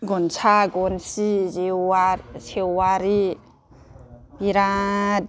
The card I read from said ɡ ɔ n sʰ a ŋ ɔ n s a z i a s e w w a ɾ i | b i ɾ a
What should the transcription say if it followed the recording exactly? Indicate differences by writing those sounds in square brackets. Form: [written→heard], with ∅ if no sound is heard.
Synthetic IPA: ɡ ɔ n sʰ a [ŋ→ɡ] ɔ n s [a→i] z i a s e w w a ɾ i | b i ɾ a